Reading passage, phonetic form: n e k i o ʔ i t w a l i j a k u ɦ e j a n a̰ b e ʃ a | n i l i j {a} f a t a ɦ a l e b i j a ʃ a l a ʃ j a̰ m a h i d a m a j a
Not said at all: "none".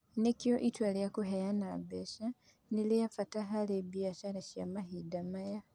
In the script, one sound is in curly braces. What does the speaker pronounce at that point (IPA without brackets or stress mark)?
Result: a